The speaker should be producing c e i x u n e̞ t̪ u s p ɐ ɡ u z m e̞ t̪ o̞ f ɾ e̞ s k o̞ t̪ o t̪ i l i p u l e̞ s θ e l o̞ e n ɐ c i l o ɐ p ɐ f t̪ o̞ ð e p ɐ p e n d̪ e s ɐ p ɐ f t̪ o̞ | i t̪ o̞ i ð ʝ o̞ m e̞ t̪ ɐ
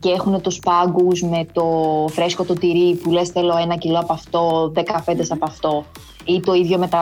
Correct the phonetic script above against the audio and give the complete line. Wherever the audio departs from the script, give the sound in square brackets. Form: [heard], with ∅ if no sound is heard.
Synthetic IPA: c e [e] x u n e̞ t̪ u s p ɐ ɡ u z m e̞ t̪ o̞ f ɾ e̞ s k o̞ t̪ o t̪ i [ɾ] i p u l e̞ s θ e l o̞ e n ɐ c i l o ɐ p ɐ f t̪ o̞ ð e [k] ɐ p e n d̪ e s ɐ p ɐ f t̪ o̞ | i t̪ o̞ i ð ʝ o̞ m e̞ t̪ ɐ